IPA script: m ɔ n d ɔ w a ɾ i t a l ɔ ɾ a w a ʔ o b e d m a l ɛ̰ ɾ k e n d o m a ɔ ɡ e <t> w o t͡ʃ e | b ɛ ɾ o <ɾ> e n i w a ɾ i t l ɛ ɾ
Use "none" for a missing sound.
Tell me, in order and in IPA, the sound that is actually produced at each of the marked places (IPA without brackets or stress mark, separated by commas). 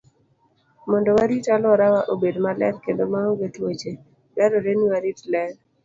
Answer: t, ɾ